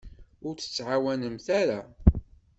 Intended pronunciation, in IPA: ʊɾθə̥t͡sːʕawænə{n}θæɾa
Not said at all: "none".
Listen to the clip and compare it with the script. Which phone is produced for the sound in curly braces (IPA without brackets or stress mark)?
m